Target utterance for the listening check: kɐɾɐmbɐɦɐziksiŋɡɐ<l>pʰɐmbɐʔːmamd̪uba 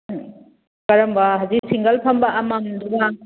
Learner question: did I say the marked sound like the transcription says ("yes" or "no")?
yes